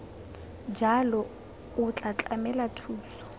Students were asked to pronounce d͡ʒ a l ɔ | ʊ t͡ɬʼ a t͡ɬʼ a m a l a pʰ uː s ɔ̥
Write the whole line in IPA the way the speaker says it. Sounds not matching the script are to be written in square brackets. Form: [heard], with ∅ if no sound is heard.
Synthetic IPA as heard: d͡ʒ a l ɔ | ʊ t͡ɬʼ a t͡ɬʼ a m [ɛ] l a [tʰ] uː s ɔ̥